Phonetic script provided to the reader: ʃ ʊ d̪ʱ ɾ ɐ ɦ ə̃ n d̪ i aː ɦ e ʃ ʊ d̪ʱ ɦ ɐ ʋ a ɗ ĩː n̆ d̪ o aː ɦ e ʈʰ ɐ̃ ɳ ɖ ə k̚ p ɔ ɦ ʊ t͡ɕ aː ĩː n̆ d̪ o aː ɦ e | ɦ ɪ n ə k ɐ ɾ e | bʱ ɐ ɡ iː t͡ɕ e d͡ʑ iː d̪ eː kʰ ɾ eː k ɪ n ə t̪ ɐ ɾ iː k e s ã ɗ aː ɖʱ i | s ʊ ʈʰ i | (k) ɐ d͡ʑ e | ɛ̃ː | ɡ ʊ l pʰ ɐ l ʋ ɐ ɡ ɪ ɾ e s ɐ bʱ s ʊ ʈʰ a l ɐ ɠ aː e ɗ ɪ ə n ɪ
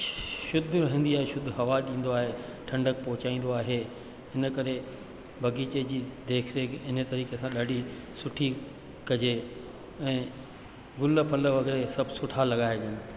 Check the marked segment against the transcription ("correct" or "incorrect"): correct